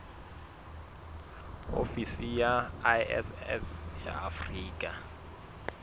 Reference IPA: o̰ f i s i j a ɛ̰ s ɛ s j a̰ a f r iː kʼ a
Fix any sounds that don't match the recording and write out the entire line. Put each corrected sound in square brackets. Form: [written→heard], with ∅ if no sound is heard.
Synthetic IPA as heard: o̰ f i s i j a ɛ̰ s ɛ s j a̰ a f r iː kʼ a